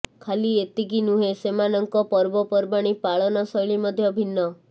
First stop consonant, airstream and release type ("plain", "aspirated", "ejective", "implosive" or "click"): aspirated